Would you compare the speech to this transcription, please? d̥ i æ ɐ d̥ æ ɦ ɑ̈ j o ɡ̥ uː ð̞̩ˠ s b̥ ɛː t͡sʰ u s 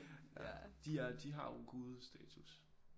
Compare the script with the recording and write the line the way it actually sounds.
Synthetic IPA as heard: d̥ i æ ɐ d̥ i ɦ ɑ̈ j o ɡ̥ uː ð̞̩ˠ s d̥ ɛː t͡sʰ u s